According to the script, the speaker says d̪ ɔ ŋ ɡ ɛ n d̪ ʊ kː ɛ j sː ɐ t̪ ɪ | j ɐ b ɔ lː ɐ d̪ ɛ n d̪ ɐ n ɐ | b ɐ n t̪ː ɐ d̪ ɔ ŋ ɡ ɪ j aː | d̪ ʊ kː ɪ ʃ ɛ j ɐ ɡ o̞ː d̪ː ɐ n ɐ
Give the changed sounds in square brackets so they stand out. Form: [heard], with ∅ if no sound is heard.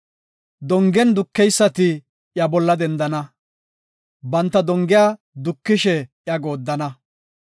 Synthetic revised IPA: d̪ ɔ ŋ ɡ ɛ n d̪ ʊ kː ɛ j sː ɐ t̪ ɪ | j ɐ b ɔ lː ɐ d̪ ɛ n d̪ ɐ n ɐ | b ɐ n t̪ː ɐ d̪ ɔ ŋ ɡ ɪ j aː | d̪ ʊ kː ɪ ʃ ɛ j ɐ ɡ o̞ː d̪ː ɐ n ɐ